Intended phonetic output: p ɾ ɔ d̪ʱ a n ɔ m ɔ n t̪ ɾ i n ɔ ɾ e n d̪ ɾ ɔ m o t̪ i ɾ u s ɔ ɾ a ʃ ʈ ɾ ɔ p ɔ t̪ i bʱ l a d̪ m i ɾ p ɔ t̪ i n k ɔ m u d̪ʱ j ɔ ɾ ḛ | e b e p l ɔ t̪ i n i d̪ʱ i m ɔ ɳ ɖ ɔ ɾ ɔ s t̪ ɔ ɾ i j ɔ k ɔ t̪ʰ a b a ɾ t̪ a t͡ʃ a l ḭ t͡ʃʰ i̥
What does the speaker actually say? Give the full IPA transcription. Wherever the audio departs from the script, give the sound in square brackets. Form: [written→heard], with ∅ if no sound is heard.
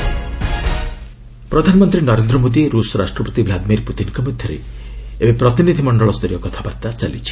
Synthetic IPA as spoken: p ɾ ɔ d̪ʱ a n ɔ m ɔ n t̪ ɾ i n ɔ ɾ e n d̪ ɾ ɔ m o [t̪→d̪] i ɾ u s ɔ ɾ a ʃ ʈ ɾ ɔ p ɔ t̪ i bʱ l a d̪ m i ɾ p [ɔ→u] t̪ i n k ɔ m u d̪ʱ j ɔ ɾ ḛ | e b e p [l→ɾ] ɔ t̪ i n i d̪ʱ i m ɔ ɳ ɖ ɔ [ɾ→ɭ] ɔ s t̪ ɔ ɾ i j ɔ k ɔ t̪ʰ a b a ɾ t̪ a t͡ʃ a l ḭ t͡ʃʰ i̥

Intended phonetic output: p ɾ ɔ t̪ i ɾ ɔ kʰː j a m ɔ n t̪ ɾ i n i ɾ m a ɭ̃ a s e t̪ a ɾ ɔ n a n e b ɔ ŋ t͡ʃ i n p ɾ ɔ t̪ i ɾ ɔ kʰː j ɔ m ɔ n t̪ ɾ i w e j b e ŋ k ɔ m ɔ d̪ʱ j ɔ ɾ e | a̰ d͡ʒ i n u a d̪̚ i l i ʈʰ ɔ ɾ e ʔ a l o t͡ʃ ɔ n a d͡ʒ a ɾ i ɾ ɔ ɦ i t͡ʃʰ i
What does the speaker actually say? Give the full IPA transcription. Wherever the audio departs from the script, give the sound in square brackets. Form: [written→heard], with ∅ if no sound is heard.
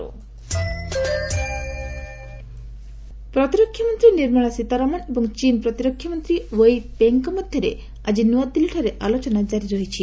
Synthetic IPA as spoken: p ɾ ɔ t̪ i ɾ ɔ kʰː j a m ɔ n t̪ ɾ i n i ɾ m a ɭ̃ a s [e→i] t̪ a ɾ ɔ [n→m] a n e b ɔ ŋ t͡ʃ i n p ɾ ɔ t̪ i ɾ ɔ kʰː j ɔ m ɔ n t̪ ɾ i w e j b e ŋ k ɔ m ɔ d̪ʱ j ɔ ɾ e | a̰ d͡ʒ i n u a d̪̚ i l i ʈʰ ɔ ɾ e ʔ a l o t͡ʃ ɔ n a d͡ʒ a ɾ i ɾ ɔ ɦ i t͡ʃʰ i

